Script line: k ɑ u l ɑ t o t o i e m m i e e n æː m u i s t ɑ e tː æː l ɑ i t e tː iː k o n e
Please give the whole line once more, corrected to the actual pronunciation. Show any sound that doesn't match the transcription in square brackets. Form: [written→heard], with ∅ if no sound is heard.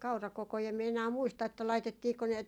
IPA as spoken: k ɑ u [l→r] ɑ [t→k] o [t→k] o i e m m i e e n æː m u i s t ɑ e tː [æː→æ] l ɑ i t e tː iː k o n e